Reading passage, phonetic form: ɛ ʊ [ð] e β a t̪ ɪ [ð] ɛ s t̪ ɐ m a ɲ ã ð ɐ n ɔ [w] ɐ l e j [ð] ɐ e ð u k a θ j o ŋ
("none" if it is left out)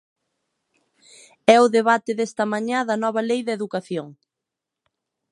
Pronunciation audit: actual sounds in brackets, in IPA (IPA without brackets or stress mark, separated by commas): ð, ð, β, ð